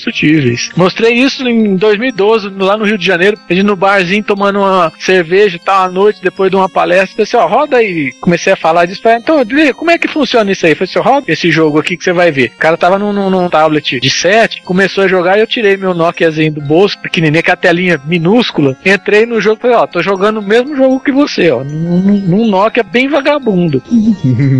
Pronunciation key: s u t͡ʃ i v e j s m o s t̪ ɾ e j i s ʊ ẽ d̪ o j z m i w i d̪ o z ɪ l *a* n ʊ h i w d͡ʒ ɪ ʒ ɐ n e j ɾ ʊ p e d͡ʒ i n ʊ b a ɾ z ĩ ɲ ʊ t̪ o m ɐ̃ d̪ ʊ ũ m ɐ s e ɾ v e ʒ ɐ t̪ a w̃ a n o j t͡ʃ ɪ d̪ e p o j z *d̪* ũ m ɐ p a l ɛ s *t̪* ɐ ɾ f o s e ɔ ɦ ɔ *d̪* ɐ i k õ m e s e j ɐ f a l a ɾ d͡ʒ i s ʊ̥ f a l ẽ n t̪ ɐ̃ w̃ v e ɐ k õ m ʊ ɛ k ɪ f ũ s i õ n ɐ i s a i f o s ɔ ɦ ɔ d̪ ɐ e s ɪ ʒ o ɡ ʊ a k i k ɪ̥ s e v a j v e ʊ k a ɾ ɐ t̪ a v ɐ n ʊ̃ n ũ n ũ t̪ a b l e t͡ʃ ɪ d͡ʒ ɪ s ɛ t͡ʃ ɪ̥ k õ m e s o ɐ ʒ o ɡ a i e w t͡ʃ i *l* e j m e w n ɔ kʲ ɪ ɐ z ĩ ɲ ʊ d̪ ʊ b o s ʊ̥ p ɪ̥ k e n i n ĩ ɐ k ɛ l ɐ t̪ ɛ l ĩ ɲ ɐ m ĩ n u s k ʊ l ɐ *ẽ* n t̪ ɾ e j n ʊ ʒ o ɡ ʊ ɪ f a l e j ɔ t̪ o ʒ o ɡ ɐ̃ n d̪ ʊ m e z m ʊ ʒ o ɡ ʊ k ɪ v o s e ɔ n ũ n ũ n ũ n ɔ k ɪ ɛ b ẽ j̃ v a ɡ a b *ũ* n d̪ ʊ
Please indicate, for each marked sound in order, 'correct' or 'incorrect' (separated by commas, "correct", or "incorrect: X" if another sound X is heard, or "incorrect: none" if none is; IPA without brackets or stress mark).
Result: correct, correct, correct, correct, incorrect: ɾ, correct, correct